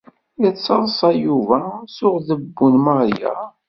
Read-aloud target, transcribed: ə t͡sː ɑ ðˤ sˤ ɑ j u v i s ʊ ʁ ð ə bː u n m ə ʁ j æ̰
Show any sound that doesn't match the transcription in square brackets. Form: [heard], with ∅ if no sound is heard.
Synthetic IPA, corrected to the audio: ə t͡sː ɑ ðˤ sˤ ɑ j u v [æ] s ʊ ʁ ð ə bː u n m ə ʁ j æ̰